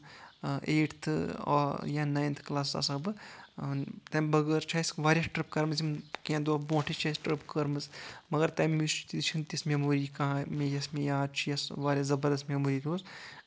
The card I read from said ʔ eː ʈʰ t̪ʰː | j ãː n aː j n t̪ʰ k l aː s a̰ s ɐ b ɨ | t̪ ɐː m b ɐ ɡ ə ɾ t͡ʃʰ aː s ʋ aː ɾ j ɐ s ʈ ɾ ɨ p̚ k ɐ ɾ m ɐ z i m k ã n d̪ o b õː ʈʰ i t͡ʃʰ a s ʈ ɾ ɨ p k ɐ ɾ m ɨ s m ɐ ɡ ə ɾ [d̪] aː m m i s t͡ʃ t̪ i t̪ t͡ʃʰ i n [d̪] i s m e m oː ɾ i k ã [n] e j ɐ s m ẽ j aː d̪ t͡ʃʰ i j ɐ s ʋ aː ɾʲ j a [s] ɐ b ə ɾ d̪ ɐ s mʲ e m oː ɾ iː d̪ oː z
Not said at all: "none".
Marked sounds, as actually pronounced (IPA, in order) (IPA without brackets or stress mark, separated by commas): t̪, t̪, m, z